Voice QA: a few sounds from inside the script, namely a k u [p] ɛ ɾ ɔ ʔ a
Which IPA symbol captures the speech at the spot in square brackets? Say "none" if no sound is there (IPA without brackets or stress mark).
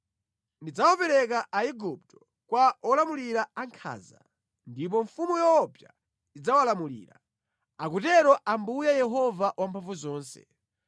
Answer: t